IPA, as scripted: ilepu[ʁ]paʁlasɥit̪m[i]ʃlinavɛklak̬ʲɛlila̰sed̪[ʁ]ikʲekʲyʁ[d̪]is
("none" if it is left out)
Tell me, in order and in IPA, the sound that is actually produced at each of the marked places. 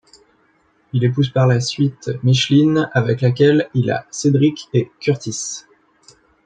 z, i, ʁ, t̪

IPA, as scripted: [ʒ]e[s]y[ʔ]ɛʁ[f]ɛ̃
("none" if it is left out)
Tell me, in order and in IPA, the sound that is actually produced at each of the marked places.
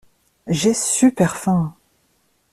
ʒ, s, p, f

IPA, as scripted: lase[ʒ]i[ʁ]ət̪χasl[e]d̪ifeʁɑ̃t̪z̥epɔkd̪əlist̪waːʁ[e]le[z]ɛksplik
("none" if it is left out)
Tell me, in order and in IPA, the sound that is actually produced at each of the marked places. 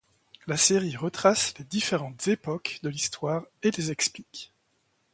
ʁ, ʁ, e, e, z

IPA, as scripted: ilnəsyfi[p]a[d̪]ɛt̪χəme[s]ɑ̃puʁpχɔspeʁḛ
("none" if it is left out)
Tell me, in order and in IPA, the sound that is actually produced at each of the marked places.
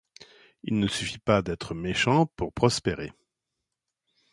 p, d̪, ʃ

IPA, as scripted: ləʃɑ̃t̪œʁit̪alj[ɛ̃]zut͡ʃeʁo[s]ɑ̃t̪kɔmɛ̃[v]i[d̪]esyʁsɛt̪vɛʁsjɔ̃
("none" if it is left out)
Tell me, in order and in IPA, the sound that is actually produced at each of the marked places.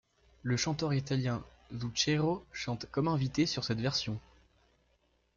ɛ̃, ʃ, v, t̪

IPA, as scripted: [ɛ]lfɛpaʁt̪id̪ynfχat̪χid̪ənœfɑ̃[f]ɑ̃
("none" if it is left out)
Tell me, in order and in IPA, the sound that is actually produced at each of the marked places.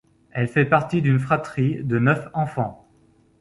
ɛ, f

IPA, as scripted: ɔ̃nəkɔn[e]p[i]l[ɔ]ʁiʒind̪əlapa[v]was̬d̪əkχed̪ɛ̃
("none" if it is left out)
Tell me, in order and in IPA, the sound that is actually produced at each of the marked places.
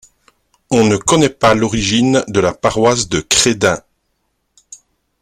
ɛ, a, ɔ, ʁ

